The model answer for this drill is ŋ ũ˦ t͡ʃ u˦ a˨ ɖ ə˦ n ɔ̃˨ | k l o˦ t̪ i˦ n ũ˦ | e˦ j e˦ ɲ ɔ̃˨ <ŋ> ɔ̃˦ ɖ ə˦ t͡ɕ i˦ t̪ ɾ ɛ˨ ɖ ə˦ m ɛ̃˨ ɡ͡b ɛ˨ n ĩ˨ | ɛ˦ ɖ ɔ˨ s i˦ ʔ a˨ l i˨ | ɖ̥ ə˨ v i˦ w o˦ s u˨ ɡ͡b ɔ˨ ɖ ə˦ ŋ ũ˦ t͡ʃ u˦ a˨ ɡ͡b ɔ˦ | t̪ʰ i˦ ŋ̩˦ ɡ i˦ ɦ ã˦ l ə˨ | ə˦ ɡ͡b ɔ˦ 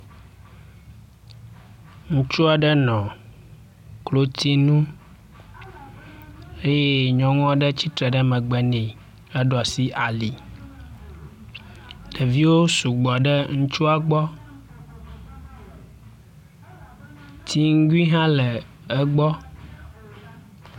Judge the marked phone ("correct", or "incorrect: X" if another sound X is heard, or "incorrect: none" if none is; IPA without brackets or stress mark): correct